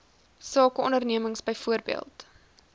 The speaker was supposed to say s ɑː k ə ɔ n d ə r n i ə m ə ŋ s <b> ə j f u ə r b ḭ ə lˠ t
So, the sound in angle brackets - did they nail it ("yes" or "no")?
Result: yes